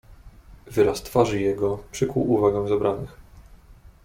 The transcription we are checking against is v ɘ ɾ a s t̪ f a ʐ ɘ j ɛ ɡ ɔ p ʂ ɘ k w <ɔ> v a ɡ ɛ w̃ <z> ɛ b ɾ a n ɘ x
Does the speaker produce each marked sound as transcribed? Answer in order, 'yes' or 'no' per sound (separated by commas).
no, yes